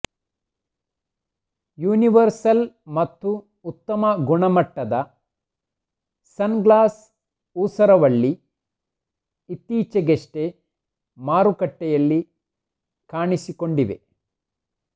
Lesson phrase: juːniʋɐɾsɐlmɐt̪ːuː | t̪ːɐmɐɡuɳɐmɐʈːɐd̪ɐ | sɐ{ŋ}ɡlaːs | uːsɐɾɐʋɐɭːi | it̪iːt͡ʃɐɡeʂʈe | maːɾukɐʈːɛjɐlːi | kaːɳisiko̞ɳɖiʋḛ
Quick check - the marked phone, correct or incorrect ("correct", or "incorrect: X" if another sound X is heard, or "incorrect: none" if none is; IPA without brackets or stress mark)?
incorrect: n